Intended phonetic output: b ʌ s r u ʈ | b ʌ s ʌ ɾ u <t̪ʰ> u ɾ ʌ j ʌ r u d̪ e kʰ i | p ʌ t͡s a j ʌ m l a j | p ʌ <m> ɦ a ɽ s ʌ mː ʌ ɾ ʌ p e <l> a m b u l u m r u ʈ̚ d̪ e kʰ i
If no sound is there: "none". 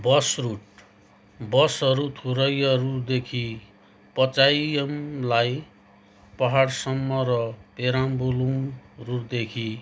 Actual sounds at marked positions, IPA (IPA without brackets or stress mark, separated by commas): t̪ʰ, none, ɾ